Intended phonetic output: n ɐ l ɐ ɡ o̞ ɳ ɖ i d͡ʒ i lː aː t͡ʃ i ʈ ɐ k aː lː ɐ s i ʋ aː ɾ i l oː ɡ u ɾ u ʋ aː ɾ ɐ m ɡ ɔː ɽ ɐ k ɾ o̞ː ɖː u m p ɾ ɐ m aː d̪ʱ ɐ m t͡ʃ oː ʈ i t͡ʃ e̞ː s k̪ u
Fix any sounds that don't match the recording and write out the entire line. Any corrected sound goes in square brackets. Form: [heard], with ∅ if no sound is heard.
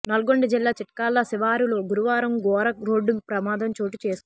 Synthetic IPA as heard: n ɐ l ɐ ɡ o̞ ɳ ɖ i d͡ʒ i lː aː t͡ʃ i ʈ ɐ k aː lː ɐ s i ʋ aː ɾ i l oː ɡ u ɾ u ʋ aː ɾ ɐ m ɡ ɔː [ɾ] ɐ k ɾ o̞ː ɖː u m p ɾ ɐ m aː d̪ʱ ɐ m t͡ʃ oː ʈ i t͡ʃ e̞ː s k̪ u